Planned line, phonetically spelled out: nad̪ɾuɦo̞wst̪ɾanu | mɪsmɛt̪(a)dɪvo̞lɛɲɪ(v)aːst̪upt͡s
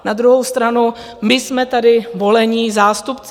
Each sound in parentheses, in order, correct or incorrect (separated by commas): correct, incorrect